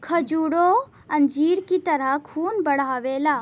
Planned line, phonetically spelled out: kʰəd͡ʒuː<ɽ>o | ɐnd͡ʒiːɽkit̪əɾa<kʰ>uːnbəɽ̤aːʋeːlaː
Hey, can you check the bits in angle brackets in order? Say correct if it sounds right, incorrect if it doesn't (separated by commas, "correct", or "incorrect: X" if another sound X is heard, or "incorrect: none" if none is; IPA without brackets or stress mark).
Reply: correct, correct